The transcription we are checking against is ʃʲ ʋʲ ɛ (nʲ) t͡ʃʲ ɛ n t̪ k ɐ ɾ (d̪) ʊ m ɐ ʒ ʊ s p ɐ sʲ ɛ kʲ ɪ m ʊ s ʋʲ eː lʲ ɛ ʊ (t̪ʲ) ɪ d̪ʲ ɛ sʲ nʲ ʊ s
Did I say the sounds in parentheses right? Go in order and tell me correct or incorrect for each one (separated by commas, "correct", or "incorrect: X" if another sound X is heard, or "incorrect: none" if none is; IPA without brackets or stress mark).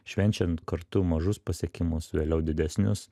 correct, incorrect: t̪, incorrect: d̪ʲ